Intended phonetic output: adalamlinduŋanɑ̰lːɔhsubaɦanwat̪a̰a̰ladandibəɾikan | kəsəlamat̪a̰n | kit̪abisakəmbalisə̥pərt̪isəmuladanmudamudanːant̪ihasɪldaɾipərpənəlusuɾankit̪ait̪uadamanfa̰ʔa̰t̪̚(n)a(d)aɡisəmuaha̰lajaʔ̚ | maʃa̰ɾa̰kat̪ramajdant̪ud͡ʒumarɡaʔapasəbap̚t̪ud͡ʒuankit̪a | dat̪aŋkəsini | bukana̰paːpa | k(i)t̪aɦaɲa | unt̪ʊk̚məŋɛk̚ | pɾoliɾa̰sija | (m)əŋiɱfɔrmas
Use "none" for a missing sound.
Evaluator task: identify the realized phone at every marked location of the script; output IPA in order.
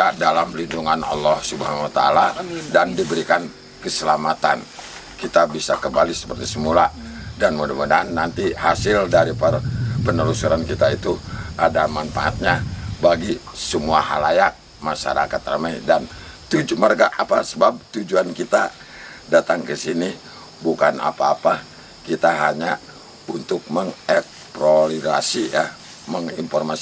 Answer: ɲ, b, i, m

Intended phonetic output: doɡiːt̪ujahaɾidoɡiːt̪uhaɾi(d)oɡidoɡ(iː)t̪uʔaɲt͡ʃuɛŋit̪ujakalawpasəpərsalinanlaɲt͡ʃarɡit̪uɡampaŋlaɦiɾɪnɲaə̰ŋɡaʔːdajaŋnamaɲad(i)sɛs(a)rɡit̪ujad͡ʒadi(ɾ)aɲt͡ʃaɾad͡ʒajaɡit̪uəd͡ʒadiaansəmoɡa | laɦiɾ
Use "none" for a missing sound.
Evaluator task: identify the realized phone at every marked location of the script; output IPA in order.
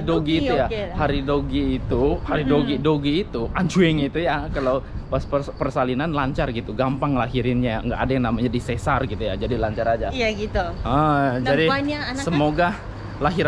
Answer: d, iː, i, a, l

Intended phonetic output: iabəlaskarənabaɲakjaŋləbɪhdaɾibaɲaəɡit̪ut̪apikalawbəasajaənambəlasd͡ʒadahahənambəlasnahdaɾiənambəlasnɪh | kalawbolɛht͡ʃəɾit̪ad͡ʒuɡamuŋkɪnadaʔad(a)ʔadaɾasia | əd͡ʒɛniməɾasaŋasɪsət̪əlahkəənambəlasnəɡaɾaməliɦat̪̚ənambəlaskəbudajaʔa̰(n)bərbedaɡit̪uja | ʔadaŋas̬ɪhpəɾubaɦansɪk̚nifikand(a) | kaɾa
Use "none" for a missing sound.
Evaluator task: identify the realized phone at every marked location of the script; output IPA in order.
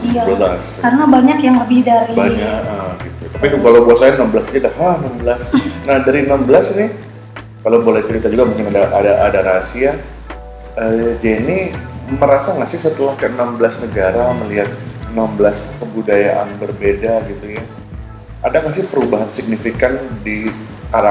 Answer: a, n, i

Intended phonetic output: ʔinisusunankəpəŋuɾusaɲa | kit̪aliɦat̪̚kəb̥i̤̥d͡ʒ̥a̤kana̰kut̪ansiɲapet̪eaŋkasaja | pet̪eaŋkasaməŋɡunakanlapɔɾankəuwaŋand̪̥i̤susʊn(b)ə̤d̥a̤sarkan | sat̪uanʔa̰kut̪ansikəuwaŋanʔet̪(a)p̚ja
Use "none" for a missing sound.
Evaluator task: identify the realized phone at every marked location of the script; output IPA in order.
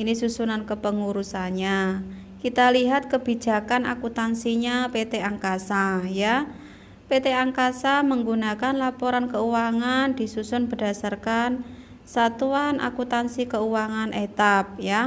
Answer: b, a

